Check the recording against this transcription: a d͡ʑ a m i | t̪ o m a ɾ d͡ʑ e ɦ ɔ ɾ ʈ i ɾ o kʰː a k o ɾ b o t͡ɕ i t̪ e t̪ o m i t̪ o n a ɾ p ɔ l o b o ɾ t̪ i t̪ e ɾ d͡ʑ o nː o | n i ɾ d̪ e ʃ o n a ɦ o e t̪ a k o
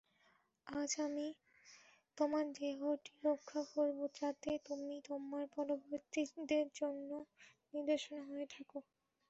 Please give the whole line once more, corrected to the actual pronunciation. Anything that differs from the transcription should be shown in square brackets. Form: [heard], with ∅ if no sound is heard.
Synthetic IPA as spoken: a d͡ʑ a m i | t̪ o m a ɾ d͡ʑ e ɦ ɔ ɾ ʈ i ɾ o kʰː a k o ɾ b o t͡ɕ [a] t̪ e t̪ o m i t̪ o [m] a ɾ p ɔ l o b o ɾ t̪ i [d̪] e ɾ d͡ʑ o nː o | n i ɾ d̪ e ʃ o n a ɦ o e [t̪ʰ] a k o

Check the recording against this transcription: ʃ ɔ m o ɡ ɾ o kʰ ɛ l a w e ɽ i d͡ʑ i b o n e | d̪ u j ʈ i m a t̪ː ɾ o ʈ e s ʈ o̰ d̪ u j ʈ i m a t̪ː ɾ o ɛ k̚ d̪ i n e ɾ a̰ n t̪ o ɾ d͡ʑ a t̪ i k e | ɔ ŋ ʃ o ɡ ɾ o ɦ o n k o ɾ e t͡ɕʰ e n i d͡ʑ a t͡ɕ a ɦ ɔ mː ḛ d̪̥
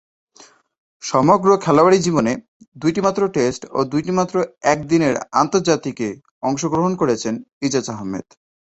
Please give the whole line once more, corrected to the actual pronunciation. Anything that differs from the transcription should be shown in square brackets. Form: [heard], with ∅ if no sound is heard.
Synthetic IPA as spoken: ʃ ɔ m o ɡ ɾ o kʰ ɛ l a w [a] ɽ i d͡ʑ i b o n e | d̪ u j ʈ i m a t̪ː ɾ o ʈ e s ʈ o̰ d̪ u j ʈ i m a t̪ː ɾ o ɛ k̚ d̪ i n e ɾ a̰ n t̪ o ɾ d͡ʑ a t̪ i k e | ɔ ŋ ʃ o ɡ ɾ o ɦ o n k o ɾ e t͡ɕʰ e n i d͡ʑ a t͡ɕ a ɦ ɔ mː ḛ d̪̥

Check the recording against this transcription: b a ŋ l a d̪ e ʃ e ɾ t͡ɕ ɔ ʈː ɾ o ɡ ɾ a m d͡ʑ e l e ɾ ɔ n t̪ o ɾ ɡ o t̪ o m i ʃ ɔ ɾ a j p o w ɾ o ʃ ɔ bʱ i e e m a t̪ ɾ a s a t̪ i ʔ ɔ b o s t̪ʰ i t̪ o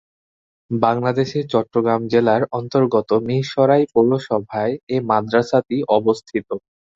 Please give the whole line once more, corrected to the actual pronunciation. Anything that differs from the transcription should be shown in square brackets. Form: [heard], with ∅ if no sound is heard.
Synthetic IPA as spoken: b a ŋ l a d̪ e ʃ e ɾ t͡ɕ ɔ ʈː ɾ o ɡ ɾ a m d͡ʑ e l [a] ɾ ɔ n t̪ o ɾ ɡ o t̪ o m i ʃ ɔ ɾ a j p o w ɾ o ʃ ɔ bʱ [a] e e m a [d̪] ɾ a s a t̪ i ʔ ɔ b o s t̪ʰ i t̪ o

